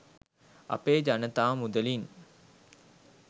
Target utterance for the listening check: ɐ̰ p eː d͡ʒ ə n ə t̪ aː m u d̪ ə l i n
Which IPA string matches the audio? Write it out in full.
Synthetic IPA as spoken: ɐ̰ p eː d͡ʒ a n ə t̪ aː m u d̪ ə l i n